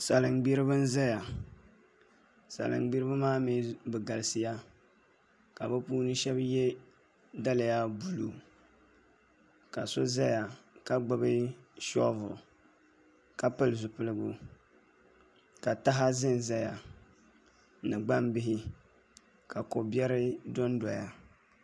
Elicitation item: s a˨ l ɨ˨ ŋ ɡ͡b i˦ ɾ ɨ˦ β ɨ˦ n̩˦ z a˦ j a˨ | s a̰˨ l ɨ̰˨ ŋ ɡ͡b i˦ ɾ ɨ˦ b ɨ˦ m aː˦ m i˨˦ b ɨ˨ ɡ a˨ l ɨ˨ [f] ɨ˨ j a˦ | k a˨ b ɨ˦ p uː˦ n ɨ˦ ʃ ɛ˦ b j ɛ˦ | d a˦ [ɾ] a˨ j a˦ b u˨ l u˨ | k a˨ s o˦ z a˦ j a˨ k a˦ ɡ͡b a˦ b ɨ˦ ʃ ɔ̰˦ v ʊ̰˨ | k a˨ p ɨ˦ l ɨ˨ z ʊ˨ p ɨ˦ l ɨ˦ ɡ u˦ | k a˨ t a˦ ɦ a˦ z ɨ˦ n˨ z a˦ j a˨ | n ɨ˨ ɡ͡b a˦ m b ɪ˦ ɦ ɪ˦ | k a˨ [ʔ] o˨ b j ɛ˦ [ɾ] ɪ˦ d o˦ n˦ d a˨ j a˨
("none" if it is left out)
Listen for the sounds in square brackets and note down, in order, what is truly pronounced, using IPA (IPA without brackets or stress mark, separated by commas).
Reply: s, l, k, ɾ